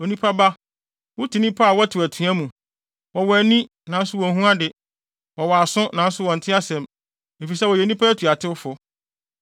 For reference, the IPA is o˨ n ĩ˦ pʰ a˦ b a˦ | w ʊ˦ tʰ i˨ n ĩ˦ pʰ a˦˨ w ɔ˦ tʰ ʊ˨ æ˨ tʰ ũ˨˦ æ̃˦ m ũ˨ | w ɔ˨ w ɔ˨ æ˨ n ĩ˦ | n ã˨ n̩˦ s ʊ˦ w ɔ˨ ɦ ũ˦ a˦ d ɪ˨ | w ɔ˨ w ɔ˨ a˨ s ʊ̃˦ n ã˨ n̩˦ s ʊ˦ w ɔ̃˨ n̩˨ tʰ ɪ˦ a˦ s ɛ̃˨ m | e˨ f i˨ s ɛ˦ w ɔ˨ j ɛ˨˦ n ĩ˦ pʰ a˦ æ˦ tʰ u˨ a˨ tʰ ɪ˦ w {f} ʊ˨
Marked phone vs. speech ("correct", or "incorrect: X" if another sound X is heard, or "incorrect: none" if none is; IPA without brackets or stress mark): correct